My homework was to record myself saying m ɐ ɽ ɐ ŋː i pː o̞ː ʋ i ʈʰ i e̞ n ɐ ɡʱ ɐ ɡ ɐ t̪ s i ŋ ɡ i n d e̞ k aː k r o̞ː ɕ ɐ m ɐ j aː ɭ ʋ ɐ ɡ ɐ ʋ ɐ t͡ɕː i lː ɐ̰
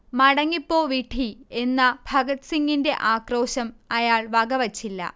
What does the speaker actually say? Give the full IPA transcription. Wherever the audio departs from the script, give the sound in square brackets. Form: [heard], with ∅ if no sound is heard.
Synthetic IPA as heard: m ɐ ɽ ɐ ŋː i pː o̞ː ʋ i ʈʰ i e̞ [nː] ɐ [bʱ] ɐ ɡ ɐ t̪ s i ŋ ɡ i n d e̞ [ʔ] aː k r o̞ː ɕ ɐ m ɐ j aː ɭ ʋ ɐ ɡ ɐ ʋ ɐ t͡ɕː i lː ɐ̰